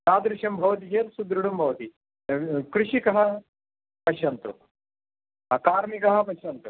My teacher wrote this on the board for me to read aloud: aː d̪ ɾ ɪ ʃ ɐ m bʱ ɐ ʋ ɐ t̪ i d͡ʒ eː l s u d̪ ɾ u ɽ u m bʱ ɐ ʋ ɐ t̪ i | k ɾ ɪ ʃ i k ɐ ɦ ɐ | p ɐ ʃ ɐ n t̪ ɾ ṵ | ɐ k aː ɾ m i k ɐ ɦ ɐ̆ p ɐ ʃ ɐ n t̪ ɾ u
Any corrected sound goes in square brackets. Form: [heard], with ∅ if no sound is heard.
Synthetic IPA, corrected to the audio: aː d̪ ɾ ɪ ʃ ɐ m bʱ ɐ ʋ ɐ t̪ i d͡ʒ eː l s u d̪ ɾ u ɽ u m bʱ ɐ ʋ ɐ t̪ i | k ɾ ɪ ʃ i k ɐ ɦ ɐ | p ɐ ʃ ɐ n t̪ ɾ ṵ | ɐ k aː ɾ m i k ɐ ɦ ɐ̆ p ɐ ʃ ɐ n t̪ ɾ u